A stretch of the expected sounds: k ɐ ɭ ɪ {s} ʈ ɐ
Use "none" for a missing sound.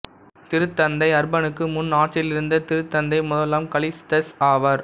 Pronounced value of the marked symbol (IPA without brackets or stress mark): s